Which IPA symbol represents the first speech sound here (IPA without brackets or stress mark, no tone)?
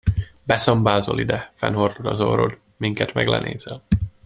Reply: b